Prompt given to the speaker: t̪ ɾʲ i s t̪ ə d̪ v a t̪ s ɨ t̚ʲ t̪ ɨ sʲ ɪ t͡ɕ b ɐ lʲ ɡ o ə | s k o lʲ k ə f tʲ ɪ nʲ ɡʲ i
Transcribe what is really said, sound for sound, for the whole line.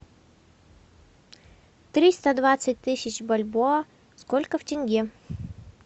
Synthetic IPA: t̪ ɾʲ i s t̪ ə d̪ v a t̪ s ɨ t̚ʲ t̪ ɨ sʲ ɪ t͡ɕ b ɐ lʲ b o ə | s k o lʲ k ə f tʲ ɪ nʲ ɡʲ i